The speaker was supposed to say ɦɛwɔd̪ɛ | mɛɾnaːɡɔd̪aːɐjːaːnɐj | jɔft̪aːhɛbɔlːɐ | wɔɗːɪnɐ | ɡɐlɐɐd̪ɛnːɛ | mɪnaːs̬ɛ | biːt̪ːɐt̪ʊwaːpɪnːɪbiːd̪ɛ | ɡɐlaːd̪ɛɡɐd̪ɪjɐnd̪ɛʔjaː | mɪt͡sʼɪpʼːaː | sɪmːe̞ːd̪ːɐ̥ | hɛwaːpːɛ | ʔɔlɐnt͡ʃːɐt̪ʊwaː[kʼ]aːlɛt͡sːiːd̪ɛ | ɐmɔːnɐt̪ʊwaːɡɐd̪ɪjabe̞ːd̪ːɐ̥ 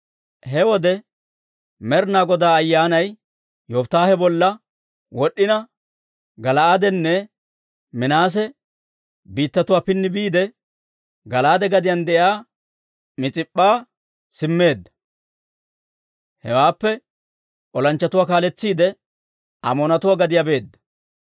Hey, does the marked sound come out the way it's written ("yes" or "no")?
no